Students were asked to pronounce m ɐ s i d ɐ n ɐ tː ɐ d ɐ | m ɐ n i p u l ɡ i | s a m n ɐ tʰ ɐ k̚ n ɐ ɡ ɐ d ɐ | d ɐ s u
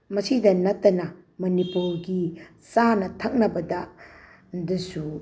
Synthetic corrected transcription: m ɐ s i d ɐ n ɐ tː ɐ n ɐ | m ɐ n i p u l ɡ i | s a n ɐ tʰ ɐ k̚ n ɐ b ɐ d ɐ | d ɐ s u